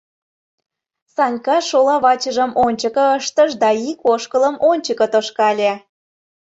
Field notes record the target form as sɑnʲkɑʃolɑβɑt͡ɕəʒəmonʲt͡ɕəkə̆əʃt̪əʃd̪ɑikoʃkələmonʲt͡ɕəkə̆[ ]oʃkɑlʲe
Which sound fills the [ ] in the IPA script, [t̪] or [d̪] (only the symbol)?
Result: t̪